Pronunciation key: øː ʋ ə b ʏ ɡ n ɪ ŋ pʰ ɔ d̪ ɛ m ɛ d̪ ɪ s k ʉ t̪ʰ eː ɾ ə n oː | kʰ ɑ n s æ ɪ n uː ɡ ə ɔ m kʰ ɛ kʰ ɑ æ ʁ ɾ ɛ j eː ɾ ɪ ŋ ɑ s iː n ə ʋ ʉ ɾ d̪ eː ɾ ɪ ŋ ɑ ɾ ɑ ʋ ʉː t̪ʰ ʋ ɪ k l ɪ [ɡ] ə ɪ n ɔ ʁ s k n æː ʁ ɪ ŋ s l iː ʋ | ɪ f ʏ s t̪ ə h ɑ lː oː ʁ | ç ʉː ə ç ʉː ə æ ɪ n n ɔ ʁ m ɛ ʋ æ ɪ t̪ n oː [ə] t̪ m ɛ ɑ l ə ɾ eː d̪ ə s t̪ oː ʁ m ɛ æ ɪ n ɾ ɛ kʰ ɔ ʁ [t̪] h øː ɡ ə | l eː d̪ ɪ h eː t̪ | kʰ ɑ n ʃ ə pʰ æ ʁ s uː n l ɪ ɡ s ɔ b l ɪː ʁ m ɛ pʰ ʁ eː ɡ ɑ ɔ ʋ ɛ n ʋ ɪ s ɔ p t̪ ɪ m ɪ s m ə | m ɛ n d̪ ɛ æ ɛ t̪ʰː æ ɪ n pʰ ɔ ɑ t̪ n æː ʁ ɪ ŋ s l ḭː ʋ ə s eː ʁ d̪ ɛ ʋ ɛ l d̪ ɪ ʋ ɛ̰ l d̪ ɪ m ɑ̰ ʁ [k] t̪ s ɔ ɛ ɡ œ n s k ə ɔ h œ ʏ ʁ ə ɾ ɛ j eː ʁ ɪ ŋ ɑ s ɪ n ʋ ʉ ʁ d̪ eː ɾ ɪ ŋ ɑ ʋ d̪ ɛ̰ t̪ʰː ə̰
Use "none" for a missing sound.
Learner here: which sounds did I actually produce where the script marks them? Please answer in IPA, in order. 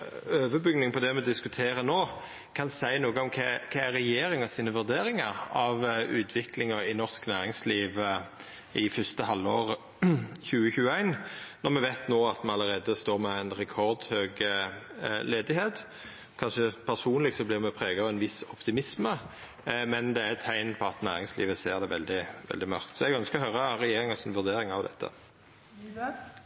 ŋ, ɑ, d̪, k

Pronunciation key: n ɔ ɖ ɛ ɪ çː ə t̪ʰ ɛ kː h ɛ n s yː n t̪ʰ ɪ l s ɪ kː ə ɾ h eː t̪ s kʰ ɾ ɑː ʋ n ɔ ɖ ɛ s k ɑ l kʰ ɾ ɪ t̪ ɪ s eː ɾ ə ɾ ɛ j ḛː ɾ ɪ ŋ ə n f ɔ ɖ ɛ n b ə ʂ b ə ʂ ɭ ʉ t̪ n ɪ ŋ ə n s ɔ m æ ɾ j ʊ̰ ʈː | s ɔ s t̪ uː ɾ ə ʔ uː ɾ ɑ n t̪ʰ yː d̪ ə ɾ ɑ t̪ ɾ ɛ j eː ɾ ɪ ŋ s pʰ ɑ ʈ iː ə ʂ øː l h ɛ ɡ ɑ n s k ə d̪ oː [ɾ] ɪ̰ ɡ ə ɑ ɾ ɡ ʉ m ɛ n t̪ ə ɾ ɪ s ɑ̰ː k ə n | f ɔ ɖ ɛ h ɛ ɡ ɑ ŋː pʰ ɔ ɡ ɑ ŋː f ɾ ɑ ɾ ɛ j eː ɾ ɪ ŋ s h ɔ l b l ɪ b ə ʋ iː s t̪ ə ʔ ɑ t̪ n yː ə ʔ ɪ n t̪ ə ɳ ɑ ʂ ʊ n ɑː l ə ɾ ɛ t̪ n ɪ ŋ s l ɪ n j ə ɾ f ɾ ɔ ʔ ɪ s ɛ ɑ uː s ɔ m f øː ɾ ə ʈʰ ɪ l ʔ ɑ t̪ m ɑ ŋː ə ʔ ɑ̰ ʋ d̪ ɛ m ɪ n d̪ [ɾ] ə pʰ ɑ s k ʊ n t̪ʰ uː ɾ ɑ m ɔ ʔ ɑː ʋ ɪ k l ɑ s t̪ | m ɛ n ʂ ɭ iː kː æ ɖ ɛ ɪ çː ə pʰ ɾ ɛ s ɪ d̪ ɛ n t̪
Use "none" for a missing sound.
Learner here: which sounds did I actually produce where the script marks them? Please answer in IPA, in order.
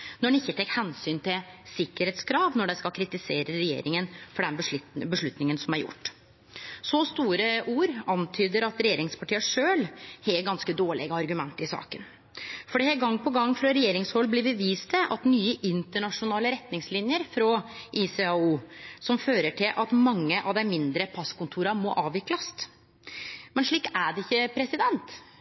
ɭ, ɾ

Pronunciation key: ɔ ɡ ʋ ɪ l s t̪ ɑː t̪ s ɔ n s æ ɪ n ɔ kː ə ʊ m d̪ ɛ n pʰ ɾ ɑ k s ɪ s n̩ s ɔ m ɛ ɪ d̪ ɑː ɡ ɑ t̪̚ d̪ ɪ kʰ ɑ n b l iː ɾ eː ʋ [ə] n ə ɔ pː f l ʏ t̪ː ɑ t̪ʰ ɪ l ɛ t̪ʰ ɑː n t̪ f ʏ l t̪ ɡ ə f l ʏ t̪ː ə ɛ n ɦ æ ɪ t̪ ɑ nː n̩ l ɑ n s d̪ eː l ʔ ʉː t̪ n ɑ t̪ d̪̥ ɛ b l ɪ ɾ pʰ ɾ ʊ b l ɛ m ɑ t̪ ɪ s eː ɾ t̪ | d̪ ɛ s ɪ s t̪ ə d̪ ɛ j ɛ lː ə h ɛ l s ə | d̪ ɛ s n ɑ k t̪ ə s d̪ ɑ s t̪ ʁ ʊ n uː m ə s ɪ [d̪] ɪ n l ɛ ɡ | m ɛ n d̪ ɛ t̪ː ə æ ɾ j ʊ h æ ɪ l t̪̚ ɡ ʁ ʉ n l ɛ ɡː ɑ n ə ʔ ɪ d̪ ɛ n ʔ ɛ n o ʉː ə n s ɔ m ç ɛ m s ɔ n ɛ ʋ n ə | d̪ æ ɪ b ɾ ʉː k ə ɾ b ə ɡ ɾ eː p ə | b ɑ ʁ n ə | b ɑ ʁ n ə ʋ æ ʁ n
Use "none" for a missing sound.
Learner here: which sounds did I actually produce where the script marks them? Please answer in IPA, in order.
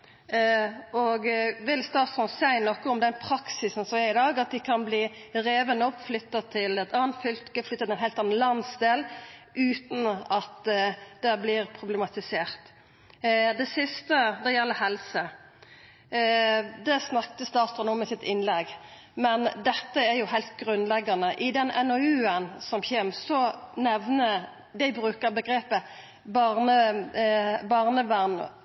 ə, t̪

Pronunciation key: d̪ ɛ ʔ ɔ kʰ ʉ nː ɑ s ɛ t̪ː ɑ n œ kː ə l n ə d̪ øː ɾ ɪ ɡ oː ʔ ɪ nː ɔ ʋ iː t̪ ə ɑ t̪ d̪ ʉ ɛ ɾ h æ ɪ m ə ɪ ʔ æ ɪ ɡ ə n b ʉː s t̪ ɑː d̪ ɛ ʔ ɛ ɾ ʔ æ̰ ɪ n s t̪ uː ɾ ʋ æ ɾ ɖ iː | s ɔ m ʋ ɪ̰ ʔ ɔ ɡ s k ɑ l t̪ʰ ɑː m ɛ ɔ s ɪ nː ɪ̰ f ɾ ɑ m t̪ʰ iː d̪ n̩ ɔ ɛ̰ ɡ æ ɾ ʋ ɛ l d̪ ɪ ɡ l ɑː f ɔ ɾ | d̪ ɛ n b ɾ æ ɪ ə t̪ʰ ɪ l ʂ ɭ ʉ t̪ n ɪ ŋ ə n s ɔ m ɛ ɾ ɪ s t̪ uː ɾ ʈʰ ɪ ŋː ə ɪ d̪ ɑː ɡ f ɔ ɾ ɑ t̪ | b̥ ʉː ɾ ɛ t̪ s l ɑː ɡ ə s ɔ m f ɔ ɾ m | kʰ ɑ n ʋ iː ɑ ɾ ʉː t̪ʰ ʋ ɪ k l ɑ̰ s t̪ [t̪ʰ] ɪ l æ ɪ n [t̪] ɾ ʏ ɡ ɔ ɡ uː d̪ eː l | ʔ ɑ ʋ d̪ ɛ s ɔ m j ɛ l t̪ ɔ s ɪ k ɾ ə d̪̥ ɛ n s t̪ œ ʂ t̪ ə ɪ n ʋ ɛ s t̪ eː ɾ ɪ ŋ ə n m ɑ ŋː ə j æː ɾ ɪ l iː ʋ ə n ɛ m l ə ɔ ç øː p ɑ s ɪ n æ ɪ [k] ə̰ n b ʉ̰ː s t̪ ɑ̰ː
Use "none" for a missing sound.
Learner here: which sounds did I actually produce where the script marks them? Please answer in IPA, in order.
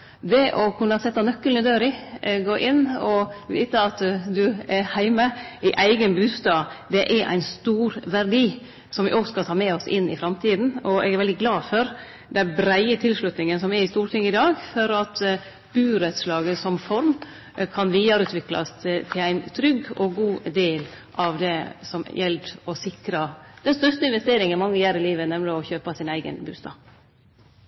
t̪ʰ, t̪ʰ, ɡ

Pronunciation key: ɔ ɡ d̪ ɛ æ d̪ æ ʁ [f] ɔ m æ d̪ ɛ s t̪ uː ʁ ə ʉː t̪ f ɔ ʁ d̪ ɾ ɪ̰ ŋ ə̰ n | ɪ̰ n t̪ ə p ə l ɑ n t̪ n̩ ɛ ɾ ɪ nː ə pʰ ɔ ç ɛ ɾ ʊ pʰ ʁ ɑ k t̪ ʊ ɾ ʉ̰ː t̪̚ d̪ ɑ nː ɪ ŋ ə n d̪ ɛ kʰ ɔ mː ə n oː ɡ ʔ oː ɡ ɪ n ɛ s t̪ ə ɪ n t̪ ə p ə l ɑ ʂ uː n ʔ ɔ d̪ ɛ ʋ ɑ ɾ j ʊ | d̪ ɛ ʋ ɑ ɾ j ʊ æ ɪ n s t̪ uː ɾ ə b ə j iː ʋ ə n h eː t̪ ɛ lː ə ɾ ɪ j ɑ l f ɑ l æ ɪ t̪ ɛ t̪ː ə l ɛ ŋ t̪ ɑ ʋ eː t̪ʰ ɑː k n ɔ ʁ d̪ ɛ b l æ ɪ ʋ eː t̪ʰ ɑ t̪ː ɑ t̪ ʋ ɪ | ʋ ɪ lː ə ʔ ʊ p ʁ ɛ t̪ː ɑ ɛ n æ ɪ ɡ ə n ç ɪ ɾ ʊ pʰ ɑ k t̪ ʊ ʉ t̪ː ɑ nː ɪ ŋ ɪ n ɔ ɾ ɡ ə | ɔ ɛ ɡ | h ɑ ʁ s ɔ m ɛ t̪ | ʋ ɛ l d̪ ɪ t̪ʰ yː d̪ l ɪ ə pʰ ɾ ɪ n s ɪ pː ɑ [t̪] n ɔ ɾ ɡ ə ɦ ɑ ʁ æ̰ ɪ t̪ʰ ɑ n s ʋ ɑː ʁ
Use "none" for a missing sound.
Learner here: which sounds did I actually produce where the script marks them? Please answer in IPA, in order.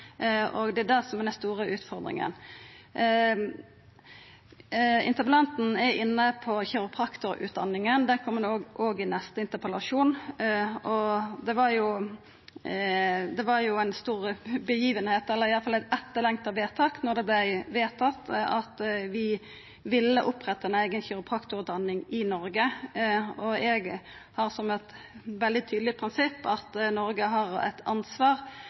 s, t̪

